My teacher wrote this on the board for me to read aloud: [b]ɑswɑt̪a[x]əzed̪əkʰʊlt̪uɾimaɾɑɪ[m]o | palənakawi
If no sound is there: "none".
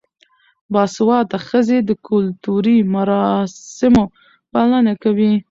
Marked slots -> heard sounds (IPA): b, x, m

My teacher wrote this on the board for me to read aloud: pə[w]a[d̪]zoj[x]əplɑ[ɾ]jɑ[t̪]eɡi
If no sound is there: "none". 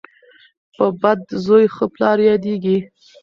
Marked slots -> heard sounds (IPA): b, d̪, x, ɾ, d̪

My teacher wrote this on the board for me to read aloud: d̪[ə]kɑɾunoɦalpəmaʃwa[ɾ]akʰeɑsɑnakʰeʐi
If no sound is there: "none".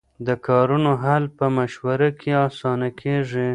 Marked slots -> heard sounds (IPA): ə, ɾ

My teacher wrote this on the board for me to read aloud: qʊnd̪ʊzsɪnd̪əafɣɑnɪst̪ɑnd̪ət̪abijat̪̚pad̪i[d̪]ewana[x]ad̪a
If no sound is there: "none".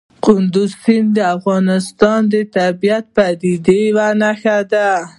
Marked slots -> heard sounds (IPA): d̪, x

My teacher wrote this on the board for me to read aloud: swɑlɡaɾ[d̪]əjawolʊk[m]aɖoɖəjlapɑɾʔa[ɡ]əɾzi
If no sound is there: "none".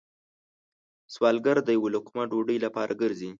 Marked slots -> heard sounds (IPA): d̪, m, ɡ

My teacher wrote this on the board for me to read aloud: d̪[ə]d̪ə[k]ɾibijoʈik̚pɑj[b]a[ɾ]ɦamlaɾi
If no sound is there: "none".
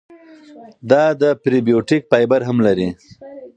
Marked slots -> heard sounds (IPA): ɑ, p, b, ɾ

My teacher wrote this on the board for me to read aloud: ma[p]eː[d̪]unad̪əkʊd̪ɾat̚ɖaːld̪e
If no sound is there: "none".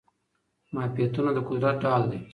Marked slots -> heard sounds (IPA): p, t̪

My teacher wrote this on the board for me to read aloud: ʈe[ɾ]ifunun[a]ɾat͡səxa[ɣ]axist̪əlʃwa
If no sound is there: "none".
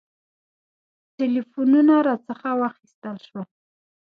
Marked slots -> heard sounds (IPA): l, a, w

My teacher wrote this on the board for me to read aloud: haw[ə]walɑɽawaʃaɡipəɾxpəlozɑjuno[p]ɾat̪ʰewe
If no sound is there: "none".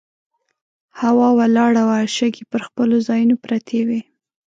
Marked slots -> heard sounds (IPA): ɑ, p

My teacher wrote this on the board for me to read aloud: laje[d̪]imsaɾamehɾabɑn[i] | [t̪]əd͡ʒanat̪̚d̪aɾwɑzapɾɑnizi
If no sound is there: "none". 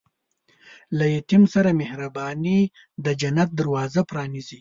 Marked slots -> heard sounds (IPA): t̪, i, d̪

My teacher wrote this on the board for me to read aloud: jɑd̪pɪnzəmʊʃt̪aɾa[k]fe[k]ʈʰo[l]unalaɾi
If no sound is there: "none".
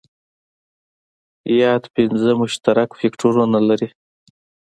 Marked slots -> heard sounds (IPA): k, k, ɾ

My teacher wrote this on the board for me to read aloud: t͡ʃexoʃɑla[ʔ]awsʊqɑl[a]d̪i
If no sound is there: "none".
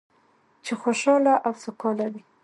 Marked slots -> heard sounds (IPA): ʔ, a

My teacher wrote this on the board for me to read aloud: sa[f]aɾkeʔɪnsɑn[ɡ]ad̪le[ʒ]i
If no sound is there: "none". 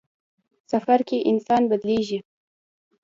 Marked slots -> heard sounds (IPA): f, b, ʒ

